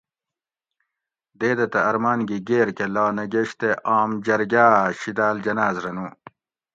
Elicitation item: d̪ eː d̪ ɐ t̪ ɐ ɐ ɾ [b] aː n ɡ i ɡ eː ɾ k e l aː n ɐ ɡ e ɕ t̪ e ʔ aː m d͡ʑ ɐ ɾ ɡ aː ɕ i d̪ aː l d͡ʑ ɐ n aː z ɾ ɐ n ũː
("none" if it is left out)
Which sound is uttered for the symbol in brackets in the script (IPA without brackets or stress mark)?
m